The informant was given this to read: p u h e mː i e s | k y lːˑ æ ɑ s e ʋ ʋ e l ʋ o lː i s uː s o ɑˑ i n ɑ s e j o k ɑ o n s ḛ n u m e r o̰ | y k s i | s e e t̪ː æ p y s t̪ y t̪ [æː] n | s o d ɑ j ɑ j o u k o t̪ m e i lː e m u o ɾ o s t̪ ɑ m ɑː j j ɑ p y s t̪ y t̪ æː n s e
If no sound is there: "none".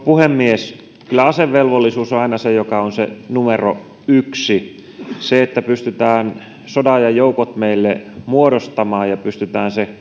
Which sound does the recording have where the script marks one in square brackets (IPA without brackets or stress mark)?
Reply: æː